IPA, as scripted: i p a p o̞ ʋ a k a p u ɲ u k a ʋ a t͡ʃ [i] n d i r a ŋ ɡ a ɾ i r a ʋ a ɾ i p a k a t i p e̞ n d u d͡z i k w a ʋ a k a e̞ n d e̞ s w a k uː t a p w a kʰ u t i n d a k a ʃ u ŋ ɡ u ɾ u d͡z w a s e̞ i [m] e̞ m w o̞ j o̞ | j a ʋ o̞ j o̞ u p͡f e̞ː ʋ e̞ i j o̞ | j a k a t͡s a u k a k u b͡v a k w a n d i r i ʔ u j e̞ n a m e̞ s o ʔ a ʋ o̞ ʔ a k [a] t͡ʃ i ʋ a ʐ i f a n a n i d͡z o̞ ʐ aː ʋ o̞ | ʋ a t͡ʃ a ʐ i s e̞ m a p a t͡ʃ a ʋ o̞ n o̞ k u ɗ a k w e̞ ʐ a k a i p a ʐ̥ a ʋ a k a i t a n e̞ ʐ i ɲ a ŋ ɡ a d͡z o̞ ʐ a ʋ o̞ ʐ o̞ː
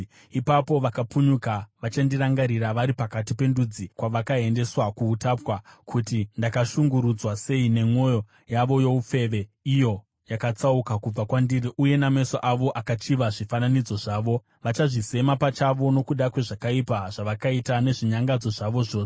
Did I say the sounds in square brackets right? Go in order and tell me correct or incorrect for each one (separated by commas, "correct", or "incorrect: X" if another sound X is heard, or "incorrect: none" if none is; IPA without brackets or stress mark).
incorrect: a, incorrect: n, correct